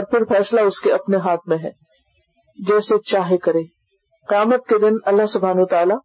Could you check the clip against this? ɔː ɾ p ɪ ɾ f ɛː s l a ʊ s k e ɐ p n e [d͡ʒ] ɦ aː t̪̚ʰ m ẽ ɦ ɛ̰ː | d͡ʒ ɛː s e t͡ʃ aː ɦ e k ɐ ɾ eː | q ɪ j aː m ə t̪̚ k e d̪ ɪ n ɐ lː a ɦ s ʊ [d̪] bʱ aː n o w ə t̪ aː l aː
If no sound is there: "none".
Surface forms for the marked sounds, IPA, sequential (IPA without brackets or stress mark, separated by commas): none, none